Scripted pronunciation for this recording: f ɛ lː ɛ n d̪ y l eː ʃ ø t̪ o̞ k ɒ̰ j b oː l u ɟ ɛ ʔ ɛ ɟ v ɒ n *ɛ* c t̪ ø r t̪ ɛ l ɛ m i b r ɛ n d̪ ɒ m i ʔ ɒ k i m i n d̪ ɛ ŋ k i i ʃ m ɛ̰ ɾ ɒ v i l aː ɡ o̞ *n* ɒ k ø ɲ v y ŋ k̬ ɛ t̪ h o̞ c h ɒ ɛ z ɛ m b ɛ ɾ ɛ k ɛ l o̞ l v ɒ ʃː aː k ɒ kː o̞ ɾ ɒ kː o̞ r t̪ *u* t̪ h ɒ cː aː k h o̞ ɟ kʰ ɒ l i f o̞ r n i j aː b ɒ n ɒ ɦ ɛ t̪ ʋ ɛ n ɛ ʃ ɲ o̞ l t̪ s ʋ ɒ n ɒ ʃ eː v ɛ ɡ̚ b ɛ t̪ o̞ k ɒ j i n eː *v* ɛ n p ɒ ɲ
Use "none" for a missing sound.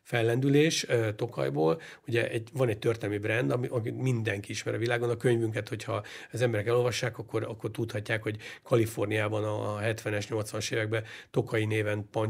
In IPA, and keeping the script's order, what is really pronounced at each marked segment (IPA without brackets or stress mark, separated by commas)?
ɛ, n, u, v